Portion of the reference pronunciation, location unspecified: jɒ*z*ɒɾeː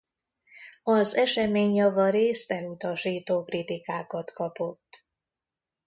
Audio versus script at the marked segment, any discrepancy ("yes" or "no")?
yes